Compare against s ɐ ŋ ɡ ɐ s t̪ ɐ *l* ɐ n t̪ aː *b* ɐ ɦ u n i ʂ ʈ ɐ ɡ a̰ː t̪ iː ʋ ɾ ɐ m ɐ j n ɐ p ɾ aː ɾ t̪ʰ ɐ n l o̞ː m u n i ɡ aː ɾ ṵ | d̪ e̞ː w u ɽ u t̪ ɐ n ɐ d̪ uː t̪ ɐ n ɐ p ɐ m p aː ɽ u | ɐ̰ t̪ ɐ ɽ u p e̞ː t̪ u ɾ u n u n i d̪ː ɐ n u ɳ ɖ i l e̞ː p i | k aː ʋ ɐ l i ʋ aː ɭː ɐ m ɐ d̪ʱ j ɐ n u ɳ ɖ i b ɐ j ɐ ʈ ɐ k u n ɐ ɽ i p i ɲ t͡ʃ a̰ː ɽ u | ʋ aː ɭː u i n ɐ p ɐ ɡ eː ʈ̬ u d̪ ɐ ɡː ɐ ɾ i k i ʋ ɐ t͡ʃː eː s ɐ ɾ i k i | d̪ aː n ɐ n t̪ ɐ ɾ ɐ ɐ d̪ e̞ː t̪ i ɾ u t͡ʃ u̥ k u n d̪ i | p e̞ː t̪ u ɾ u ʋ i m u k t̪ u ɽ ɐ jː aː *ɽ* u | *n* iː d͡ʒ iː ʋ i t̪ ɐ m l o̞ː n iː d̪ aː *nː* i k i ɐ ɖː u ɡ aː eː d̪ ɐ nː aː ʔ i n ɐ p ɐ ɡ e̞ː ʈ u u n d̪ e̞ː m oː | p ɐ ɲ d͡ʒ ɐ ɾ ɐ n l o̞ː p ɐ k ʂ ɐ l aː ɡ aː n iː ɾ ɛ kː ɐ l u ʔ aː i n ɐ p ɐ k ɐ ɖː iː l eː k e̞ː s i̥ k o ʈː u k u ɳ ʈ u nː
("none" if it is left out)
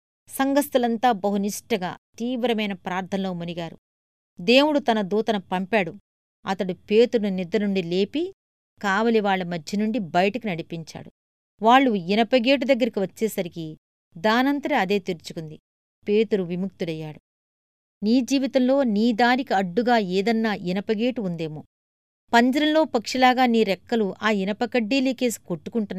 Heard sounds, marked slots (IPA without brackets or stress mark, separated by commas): l, b, ɽ, n, n